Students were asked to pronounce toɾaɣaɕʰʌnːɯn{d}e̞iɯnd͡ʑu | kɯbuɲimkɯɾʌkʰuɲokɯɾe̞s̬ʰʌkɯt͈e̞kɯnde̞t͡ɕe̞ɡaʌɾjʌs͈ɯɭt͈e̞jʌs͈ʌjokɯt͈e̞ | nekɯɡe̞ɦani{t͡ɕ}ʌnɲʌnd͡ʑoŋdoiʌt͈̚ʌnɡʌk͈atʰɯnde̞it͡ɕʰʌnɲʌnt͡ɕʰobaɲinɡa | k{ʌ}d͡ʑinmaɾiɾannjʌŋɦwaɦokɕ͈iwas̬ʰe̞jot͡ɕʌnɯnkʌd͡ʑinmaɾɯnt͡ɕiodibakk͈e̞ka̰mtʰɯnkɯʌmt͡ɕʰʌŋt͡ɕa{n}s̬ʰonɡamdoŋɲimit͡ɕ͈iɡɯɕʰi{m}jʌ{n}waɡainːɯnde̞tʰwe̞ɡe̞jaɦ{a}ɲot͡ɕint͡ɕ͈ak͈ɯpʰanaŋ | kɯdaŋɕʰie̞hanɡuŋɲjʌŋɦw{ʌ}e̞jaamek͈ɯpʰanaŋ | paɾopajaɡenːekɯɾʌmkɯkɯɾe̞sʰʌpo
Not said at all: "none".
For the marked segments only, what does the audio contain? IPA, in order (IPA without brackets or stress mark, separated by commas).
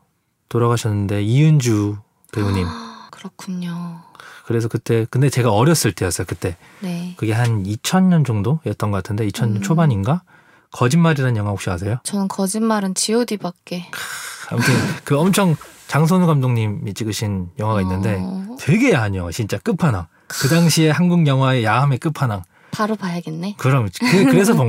d, t͡ɕʰ, ʌ, ŋ, n, ŋ, a, a